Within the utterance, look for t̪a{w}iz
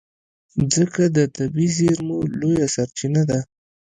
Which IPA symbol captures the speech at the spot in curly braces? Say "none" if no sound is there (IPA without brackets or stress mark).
b